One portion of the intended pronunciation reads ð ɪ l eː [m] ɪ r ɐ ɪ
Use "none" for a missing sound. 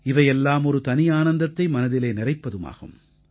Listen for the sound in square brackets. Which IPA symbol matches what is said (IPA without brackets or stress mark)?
n